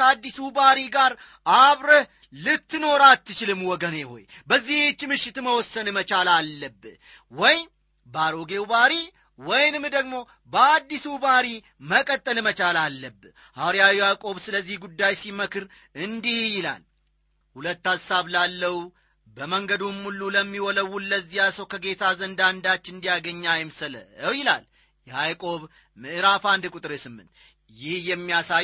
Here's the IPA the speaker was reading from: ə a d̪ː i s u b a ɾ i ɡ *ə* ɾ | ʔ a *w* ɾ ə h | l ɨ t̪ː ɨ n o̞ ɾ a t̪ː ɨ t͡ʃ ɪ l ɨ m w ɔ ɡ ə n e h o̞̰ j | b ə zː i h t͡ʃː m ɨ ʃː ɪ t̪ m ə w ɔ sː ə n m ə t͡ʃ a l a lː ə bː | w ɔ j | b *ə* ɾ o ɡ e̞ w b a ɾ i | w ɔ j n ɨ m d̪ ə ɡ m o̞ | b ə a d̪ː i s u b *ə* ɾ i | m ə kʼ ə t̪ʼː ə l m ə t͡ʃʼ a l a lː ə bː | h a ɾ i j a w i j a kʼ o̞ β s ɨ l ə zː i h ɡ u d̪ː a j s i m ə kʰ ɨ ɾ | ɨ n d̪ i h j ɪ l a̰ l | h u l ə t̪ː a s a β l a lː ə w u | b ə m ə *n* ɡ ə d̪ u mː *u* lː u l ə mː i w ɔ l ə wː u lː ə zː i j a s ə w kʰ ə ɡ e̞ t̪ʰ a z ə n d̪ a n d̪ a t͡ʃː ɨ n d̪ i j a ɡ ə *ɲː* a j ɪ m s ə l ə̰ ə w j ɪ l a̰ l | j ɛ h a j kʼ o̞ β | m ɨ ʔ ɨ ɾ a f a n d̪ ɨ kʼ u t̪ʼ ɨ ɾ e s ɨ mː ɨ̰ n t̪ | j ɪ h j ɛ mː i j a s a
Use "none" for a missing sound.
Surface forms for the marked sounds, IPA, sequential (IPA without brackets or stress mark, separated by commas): a, β, a, a, ŋ, u, ɲː